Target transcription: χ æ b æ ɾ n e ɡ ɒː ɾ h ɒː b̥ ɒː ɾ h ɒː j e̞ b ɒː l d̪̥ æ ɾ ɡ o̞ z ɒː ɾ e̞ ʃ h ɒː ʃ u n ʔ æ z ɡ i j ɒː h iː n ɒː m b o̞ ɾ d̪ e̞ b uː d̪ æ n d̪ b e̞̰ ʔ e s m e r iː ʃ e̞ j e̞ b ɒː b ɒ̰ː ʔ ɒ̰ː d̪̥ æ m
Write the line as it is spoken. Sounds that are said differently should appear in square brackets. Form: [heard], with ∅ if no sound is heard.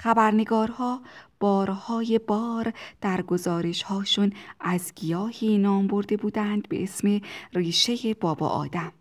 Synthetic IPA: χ æ b æ ɾ n e ɡ ɒː ɾ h ɒː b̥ ɒː ɾ h ɒː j e̞ b ɒː [ɾ] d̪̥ æ ɾ ɡ o̞ z ɒː ɾ e̞ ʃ h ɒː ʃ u n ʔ æ z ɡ i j ɒː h iː n ɒː m b o̞ ɾ d̪ e̞ b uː d̪ æ n d̪ b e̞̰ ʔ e s m e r iː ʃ e̞ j e̞ b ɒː b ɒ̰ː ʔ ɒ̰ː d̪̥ æ m